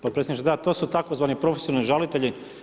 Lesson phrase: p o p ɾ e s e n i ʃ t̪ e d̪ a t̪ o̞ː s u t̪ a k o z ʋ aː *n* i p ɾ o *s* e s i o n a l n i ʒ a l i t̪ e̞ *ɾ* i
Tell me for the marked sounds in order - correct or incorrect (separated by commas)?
correct, incorrect, incorrect